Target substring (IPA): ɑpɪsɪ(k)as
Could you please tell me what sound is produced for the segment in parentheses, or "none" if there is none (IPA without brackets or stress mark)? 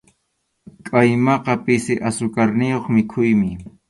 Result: ʔ